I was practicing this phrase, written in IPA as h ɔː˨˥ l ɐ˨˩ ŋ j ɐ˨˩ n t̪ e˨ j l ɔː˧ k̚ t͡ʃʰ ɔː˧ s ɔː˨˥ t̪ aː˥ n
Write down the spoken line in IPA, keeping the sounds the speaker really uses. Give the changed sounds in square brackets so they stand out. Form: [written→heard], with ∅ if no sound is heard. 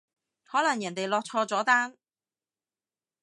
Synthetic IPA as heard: h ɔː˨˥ l ɐ˨˩ ŋ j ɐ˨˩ n t̪ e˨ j l ɔː˧ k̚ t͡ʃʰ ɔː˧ [s→t͡s] ɔː˨˥ t̪ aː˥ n